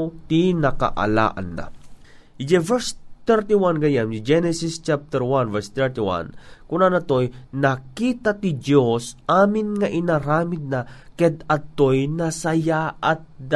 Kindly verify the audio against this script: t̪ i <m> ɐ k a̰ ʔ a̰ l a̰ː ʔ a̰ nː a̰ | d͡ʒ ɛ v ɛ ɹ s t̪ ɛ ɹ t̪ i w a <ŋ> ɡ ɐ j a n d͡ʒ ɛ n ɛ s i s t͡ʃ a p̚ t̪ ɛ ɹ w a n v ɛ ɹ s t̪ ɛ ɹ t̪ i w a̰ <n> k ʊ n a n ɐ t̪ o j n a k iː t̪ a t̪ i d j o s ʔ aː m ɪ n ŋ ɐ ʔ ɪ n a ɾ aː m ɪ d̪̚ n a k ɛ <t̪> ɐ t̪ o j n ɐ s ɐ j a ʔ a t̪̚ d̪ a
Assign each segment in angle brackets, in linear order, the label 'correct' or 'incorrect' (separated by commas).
incorrect, incorrect, correct, incorrect